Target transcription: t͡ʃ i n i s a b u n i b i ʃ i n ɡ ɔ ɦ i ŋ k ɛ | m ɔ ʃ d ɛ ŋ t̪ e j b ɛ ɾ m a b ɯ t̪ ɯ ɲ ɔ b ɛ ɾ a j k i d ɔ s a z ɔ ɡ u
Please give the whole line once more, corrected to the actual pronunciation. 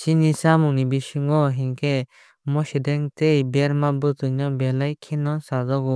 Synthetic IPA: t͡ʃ i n i s a m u n i b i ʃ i ŋ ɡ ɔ ɦ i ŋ k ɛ | m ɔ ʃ d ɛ ŋ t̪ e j b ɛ ɾ m a b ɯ t̪ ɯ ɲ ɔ b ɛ l a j kʰ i n ɔ s a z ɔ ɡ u